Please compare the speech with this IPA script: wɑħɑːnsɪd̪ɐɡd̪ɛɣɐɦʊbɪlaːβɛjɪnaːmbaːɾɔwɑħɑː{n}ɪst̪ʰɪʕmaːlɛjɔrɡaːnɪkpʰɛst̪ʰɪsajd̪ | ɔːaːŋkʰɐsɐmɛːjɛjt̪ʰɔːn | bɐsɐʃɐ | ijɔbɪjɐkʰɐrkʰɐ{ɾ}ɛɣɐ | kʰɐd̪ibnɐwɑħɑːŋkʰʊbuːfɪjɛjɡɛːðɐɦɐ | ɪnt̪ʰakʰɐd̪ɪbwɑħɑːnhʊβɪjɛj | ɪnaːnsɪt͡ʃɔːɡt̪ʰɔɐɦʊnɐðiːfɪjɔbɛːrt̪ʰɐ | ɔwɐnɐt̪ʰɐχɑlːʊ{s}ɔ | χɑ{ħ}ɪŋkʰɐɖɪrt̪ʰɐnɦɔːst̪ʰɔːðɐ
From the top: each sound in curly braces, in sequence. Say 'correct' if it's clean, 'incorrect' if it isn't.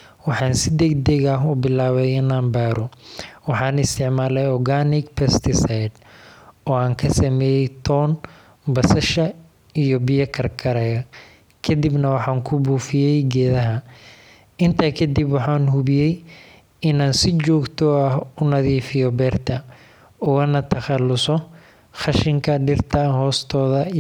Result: correct, correct, correct, incorrect: ʃ

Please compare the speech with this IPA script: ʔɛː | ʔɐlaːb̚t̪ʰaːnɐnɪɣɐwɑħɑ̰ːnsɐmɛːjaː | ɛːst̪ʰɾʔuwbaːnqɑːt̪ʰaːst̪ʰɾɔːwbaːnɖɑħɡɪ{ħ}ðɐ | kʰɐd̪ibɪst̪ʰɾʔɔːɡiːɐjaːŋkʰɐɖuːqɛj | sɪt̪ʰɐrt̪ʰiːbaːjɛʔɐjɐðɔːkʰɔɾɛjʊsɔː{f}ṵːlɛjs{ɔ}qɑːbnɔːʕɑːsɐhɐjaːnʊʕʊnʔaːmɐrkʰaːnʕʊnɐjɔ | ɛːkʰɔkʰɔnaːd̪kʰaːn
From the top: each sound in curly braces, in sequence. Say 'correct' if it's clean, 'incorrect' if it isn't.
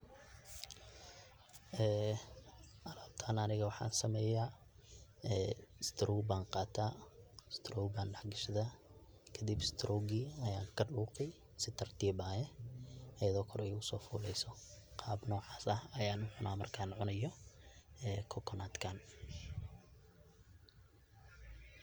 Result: incorrect: ʃ, correct, correct

